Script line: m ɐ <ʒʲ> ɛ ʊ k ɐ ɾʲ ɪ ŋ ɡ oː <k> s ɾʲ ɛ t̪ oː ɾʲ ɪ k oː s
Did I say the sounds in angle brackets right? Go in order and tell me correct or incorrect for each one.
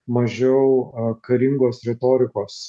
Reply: correct, incorrect: none

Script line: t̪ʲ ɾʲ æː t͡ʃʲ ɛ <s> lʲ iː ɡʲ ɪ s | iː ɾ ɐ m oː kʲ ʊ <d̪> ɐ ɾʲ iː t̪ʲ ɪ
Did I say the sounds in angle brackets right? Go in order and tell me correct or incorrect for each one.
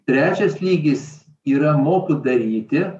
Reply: correct, correct

